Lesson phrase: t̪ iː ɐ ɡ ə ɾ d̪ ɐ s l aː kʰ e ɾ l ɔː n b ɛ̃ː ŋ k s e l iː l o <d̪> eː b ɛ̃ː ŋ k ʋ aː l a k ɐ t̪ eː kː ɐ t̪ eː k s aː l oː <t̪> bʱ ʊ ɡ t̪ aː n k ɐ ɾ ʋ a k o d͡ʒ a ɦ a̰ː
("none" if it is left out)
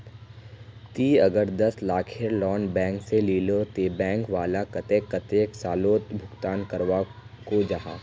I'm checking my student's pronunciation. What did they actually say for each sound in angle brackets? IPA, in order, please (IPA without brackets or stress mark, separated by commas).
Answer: t̪, t̪